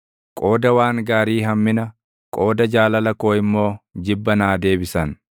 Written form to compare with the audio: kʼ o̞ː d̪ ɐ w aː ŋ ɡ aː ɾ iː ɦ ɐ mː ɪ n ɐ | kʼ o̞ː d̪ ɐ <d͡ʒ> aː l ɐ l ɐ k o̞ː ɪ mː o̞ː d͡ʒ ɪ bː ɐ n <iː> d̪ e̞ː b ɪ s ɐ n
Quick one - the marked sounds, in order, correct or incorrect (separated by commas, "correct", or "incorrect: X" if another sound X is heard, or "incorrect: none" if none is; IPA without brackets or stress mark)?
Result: correct, incorrect: aː